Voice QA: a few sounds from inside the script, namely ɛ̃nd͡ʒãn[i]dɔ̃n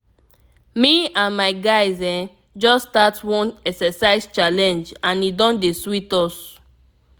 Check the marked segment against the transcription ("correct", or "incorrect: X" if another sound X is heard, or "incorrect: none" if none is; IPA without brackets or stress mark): correct